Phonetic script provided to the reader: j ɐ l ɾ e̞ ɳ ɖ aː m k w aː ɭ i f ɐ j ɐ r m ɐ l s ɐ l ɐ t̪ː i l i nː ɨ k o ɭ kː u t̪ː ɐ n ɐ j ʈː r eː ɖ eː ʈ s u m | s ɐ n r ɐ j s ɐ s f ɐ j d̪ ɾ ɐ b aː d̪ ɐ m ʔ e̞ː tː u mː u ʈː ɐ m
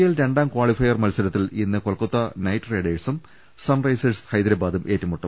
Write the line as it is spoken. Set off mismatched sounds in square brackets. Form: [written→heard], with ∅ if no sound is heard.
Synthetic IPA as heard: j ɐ l ɾ e̞ ɳ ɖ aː m k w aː ɭ i f ɐ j ɐ r m ɐ l s ɐ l ɐ t̪ː i l i nː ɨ k o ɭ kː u t̪ː ɐ n ɐ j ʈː r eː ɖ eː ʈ s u m | s ɐ n r ɐ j s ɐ s [f→h] ɐ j d̪ ɾ ɐ b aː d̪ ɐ m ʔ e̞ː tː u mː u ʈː ɐ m